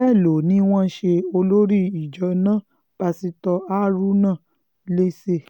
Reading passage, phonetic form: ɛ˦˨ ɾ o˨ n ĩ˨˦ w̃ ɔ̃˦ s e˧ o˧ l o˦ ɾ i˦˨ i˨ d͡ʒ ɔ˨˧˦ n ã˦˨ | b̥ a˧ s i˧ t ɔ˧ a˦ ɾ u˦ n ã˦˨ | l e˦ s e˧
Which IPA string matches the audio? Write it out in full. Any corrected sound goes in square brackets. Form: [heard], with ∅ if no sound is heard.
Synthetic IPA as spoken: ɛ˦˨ [l] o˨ n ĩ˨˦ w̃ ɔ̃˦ [ʃ] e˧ o˧ l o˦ ɾ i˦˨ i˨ d͡ʒ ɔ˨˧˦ n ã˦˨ | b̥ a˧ s i˧ t ɔ˧ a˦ ɾ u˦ n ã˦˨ | l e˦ s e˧